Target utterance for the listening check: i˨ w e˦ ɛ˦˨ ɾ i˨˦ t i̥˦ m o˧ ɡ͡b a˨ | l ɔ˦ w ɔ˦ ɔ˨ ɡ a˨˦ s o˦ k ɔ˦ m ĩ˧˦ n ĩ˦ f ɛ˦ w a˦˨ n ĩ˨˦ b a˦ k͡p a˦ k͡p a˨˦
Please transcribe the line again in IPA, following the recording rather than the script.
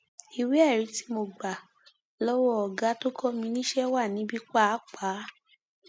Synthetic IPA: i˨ w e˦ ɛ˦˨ ɾ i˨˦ t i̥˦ m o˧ ɡ͡b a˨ | l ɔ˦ w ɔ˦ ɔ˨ ɡ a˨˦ t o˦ k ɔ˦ m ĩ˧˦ n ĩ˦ ʃ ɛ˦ w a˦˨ n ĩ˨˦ b i˦ k͡p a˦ k͡p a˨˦